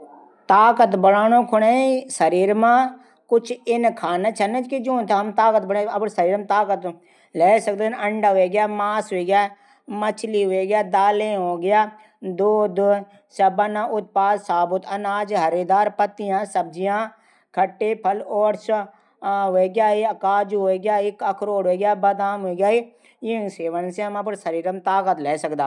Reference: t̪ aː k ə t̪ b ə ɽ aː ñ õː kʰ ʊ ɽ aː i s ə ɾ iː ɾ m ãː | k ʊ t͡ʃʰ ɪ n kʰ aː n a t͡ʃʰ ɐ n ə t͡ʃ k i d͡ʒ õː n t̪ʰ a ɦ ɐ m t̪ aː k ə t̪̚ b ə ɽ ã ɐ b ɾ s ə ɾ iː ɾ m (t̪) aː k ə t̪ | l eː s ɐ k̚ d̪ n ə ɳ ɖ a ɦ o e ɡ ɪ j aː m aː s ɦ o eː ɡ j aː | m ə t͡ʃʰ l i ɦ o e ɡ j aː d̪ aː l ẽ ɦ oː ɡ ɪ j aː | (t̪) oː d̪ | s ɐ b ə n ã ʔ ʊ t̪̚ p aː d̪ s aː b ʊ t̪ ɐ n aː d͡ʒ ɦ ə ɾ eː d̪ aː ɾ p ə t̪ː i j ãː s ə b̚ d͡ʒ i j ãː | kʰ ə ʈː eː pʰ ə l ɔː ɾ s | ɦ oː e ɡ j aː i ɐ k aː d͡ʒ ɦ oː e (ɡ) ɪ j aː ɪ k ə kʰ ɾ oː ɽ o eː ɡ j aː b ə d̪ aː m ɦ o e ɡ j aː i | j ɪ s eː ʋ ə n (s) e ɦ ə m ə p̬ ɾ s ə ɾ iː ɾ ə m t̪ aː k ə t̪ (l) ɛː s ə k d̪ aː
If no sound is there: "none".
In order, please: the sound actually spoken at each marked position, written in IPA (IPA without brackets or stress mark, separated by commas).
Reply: t̪, d̪, ɡ, s, l